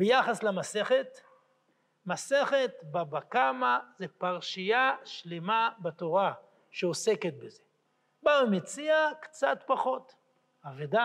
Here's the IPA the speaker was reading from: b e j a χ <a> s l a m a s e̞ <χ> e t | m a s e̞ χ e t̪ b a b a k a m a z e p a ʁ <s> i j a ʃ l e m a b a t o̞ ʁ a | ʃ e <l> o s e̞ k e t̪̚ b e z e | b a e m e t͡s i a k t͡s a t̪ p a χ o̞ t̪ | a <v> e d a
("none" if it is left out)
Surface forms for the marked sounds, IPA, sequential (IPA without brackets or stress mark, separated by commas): a, χ, ʃ, none, v